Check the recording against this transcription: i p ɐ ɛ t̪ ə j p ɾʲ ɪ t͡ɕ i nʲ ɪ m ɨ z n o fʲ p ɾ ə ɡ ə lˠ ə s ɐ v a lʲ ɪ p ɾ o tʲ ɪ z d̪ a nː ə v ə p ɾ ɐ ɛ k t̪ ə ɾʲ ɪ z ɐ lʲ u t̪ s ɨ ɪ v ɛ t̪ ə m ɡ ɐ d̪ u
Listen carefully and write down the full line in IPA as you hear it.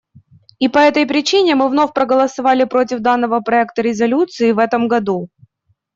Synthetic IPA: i p ɐ ɛ t̪ ə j p ɾʲ ɪ t͡ɕ i nʲ ɪ m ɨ v n o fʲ p ɾ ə ɡ ə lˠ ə s ɐ v a lʲ ɪ p ɾ o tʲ ɪ v d̪ a nː ə v ə p ɾ ɐ ɛ k t̪ ə ɾʲ ɪ z ɐ lʲ u t̪ s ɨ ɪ v ɛ t̪ ə m ɡ ɐ d̪ u